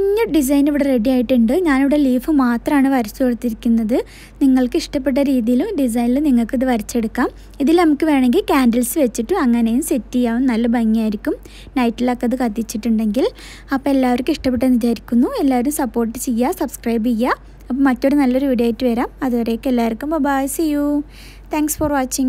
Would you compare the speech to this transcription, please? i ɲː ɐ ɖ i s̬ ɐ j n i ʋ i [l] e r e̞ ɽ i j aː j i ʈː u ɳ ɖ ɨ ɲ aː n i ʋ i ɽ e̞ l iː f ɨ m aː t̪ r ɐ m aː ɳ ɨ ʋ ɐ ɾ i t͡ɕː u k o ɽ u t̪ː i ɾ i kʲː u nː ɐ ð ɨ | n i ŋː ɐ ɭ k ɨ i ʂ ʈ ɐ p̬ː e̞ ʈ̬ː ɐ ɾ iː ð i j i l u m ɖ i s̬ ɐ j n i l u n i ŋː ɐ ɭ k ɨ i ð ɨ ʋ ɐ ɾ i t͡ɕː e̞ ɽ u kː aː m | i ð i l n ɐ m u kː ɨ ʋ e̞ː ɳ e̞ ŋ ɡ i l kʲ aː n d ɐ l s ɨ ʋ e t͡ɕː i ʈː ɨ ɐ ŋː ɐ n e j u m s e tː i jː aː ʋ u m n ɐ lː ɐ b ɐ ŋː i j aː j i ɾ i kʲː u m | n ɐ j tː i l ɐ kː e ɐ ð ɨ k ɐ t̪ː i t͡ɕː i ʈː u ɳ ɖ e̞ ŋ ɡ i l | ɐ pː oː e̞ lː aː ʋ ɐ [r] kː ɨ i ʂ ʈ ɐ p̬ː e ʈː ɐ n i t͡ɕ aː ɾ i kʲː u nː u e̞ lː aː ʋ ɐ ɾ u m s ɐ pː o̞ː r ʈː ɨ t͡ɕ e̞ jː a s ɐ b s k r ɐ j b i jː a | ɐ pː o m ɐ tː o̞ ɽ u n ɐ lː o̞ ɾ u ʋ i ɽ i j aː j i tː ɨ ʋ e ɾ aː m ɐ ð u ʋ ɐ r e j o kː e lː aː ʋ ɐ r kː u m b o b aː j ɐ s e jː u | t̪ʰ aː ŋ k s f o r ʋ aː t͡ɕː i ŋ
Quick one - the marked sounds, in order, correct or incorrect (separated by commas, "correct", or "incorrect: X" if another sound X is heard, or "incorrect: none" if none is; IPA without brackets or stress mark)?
incorrect: ɽ, incorrect: ɾ